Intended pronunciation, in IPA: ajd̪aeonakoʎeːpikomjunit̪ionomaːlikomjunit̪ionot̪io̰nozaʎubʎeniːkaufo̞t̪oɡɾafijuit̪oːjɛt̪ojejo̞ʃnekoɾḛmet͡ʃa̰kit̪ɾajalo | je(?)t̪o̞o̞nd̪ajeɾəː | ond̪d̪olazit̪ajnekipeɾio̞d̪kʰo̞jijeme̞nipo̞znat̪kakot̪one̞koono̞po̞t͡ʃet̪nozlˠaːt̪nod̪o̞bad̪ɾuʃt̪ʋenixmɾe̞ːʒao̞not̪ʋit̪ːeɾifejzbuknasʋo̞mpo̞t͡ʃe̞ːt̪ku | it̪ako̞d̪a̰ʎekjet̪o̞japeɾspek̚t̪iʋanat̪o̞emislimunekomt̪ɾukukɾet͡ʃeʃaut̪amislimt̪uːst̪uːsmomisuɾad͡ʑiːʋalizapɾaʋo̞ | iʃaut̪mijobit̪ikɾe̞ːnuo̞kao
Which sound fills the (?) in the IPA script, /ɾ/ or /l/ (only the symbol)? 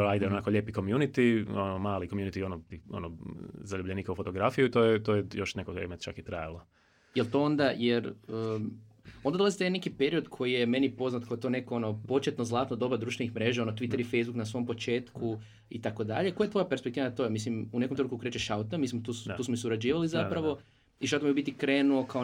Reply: l